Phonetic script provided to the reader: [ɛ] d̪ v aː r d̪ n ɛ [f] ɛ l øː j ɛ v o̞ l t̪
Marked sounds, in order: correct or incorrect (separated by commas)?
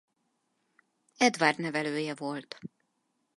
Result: correct, incorrect